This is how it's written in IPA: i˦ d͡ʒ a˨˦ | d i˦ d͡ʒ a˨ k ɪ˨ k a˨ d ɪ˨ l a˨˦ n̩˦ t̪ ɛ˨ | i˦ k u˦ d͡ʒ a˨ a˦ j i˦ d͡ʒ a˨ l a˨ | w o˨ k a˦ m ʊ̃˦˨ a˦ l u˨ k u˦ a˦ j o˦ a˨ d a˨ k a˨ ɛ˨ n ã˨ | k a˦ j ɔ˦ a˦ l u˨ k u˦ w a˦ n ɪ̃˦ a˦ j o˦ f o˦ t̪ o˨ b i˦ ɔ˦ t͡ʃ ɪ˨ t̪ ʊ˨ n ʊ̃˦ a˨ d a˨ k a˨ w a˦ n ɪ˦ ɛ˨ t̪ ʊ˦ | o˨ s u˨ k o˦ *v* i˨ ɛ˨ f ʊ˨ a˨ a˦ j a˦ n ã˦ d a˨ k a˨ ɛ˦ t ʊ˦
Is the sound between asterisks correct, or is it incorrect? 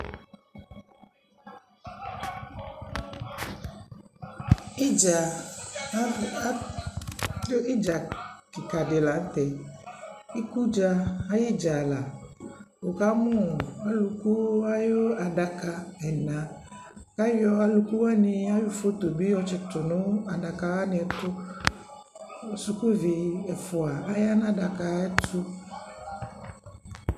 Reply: correct